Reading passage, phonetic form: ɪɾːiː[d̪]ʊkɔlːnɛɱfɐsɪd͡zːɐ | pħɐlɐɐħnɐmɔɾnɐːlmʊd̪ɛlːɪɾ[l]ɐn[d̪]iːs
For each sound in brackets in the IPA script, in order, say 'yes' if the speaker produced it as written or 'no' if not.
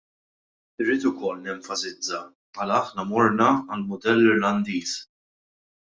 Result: no, yes, yes

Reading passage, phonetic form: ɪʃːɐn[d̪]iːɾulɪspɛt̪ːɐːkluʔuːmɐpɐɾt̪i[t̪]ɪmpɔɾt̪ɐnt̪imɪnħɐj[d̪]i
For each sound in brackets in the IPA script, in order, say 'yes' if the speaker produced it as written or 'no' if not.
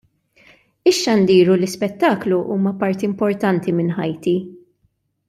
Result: yes, no, no

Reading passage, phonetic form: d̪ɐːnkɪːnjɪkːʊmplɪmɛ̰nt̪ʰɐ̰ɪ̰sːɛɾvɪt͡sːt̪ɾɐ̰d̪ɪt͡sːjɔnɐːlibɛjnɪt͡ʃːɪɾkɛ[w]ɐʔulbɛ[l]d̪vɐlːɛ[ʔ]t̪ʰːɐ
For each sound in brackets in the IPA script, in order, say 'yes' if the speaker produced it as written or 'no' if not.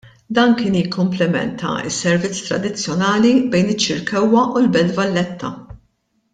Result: no, yes, no

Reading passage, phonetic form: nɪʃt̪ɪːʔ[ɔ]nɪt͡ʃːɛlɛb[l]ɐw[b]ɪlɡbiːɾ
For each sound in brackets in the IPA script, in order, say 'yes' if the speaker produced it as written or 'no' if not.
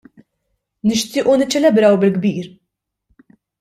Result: no, no, yes

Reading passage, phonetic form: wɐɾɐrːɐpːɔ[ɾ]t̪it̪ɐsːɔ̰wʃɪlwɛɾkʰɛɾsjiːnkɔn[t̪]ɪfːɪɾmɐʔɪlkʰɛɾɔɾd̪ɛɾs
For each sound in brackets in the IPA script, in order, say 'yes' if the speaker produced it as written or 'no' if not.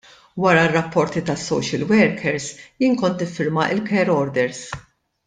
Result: yes, yes

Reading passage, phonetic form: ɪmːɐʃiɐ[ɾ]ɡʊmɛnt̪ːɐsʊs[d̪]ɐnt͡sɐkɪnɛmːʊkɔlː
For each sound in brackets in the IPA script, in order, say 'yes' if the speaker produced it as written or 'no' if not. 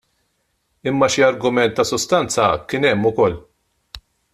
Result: yes, no

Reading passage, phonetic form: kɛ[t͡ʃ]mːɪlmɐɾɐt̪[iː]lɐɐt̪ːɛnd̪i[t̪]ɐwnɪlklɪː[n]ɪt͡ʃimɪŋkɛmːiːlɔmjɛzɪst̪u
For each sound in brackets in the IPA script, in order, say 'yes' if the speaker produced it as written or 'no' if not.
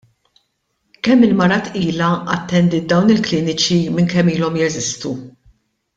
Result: no, yes, no, yes

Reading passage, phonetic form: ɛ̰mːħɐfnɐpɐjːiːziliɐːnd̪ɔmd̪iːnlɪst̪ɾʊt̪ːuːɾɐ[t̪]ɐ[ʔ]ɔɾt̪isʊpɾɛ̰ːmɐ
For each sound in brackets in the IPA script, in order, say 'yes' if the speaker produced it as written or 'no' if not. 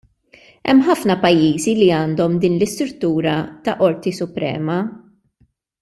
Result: yes, yes

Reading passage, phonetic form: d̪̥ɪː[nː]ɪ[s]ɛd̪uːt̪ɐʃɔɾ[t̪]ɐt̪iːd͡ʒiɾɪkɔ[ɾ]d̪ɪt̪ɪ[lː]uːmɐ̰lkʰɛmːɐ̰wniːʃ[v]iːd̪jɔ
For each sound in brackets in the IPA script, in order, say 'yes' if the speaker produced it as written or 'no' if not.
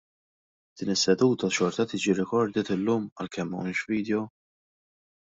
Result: no, no, yes, yes, yes, yes

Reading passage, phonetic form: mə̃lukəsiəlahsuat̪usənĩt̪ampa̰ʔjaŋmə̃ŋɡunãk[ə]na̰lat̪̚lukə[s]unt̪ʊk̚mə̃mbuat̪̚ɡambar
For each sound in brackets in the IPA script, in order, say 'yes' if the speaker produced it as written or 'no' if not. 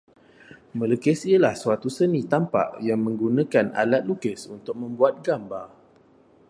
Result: no, yes

